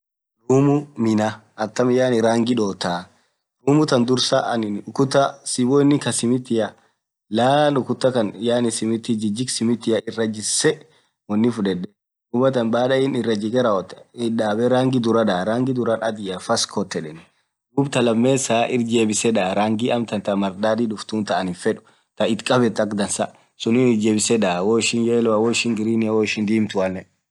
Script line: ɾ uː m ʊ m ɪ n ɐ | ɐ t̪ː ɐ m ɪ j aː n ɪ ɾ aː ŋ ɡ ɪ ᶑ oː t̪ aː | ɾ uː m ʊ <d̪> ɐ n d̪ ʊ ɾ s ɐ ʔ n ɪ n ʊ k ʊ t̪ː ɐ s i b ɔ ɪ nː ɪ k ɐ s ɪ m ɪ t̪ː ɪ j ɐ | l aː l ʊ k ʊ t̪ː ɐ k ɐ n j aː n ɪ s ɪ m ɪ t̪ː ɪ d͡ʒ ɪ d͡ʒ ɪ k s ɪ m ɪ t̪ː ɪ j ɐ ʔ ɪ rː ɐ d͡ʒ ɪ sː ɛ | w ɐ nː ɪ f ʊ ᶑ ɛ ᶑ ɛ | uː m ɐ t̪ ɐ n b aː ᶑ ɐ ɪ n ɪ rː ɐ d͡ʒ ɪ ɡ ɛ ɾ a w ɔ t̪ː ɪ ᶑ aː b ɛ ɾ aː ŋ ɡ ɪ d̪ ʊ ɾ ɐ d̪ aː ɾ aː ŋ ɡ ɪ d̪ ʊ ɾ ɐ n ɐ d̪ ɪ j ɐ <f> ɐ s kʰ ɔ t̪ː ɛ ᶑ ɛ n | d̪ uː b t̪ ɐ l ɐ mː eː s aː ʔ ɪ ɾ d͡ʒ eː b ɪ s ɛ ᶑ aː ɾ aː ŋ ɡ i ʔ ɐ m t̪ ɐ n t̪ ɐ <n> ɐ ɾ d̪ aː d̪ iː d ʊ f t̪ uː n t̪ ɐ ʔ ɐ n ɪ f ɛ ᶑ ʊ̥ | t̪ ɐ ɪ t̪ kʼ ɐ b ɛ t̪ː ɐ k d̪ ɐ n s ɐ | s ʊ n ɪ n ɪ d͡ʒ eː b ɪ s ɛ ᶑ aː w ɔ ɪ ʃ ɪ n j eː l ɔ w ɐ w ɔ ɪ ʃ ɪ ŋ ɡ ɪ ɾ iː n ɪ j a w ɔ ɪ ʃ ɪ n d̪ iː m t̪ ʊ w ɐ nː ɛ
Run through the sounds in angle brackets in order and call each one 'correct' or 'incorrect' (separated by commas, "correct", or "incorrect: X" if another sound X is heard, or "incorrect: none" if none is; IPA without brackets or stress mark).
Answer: incorrect: t̪, correct, incorrect: m